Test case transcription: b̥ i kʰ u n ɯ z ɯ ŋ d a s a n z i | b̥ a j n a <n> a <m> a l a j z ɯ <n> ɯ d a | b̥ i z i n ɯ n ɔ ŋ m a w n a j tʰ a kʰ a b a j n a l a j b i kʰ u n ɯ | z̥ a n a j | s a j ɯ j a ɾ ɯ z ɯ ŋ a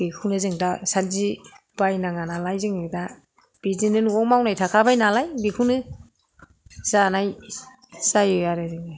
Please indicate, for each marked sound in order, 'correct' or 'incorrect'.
incorrect: ŋ, incorrect: n, incorrect: ŋ

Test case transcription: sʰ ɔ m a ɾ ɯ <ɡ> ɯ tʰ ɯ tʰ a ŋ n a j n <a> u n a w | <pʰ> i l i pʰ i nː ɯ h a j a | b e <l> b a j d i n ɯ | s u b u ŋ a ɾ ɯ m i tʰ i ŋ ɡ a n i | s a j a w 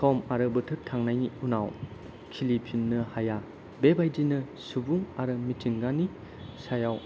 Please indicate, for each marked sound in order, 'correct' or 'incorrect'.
incorrect: b, incorrect: i, incorrect: kʰ, incorrect: none

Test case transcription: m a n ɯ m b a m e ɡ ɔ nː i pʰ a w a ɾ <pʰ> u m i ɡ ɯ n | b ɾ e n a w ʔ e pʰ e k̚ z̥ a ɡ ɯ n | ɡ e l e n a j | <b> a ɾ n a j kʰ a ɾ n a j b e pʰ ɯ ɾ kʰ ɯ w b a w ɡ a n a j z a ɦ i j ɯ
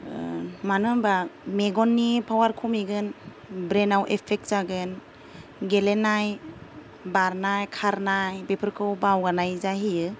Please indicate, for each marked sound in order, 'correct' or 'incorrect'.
incorrect: kʰ, correct

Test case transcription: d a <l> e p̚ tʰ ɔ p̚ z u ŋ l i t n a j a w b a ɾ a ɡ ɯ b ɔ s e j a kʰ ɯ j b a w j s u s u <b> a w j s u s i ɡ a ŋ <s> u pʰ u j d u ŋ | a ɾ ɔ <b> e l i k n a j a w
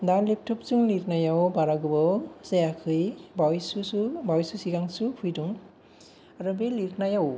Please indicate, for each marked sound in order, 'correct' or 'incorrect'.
correct, correct, correct, correct

